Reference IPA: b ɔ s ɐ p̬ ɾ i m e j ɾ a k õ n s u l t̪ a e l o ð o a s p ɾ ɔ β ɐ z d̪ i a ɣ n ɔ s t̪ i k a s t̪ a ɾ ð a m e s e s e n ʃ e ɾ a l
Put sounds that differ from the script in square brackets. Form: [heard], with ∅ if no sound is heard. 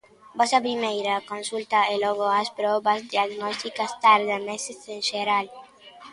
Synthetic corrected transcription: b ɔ s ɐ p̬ ɾ i m e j ɾ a k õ n s u l t̪ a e l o [ɣ] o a s p ɾ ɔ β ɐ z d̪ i a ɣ n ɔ s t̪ i k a s t̪ a ɾ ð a m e s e s e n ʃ e ɾ a l